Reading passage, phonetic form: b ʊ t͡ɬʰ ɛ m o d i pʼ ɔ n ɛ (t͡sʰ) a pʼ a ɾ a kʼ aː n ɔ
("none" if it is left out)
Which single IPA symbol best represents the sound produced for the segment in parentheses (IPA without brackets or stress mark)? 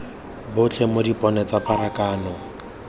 t͡s